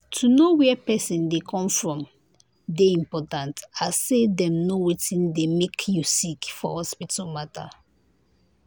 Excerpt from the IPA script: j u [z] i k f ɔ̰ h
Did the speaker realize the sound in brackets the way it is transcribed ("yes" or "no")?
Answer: no